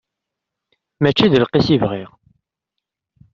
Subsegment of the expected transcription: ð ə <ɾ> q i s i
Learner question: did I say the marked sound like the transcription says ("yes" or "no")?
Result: no